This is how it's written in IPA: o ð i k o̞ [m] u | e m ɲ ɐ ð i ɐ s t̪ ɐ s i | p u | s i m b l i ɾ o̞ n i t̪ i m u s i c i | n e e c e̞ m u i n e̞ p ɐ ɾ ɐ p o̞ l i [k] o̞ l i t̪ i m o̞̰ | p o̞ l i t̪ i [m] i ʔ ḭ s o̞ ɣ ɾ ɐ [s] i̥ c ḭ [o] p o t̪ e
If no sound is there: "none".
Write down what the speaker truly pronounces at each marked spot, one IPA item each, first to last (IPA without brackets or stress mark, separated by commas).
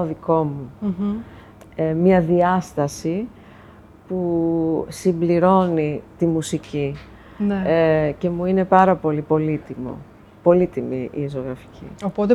m, p, m, f, o